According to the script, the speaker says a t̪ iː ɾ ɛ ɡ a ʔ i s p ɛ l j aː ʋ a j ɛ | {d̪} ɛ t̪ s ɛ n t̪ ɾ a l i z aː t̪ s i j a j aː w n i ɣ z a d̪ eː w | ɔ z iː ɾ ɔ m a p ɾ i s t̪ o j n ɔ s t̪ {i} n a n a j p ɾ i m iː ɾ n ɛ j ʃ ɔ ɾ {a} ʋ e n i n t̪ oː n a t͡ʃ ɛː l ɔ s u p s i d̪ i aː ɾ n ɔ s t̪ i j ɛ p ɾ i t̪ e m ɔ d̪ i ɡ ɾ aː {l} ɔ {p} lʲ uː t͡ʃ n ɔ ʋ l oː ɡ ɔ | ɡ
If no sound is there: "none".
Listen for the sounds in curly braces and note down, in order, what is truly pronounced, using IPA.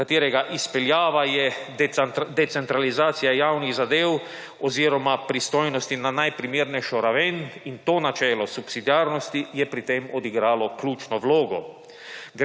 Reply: d̪, i, a, l, k

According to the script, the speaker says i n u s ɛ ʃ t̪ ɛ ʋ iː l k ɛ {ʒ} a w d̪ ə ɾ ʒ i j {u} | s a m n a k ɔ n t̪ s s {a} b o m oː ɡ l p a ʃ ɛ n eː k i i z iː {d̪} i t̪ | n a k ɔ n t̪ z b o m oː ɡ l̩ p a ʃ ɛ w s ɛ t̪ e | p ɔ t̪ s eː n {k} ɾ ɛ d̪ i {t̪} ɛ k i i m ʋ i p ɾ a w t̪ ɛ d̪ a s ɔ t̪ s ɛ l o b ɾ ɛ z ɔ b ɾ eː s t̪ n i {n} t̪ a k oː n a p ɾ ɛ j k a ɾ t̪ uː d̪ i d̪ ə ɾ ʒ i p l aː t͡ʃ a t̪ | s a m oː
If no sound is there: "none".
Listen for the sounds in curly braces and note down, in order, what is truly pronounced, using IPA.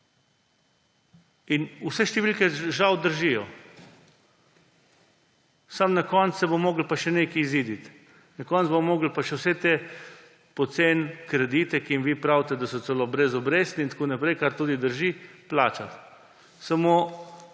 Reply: ʒ, ɔ, ɛ, d̪, k, t̪, n

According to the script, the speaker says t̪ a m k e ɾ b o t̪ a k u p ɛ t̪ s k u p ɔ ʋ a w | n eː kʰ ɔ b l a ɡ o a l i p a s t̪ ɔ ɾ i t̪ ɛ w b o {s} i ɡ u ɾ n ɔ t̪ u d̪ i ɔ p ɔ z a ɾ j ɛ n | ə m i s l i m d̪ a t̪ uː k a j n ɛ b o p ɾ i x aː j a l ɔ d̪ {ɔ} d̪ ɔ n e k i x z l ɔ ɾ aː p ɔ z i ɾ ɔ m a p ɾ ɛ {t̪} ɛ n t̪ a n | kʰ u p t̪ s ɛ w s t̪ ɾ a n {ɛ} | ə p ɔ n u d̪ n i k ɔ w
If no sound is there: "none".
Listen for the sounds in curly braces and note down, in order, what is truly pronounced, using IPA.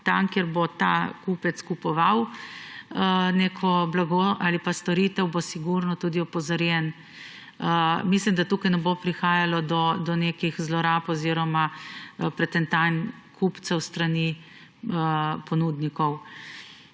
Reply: s, ɔ, t̪, i

